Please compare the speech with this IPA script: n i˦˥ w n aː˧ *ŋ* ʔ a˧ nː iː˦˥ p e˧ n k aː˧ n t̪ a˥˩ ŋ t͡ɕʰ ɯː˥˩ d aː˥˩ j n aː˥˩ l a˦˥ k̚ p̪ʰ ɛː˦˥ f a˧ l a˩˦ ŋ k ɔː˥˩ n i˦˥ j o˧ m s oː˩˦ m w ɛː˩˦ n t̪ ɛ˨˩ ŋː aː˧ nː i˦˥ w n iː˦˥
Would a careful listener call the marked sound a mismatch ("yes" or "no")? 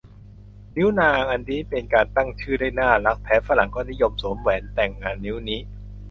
no